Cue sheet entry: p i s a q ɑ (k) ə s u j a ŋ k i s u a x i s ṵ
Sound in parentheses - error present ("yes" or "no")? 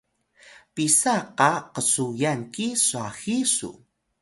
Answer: yes